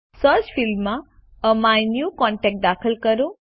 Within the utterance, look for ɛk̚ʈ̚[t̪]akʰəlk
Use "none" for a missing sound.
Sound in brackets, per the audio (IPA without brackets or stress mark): d̪